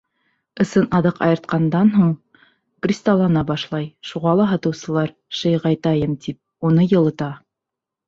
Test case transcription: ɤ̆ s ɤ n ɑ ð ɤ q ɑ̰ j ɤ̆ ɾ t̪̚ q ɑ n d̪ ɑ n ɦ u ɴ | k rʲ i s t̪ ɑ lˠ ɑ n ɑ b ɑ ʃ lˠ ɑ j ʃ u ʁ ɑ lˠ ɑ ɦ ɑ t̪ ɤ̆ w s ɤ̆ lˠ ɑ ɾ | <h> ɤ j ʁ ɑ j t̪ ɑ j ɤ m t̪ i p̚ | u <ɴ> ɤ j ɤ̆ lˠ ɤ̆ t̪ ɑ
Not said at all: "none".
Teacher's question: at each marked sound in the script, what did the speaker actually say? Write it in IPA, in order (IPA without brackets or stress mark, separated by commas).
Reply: ʃ, n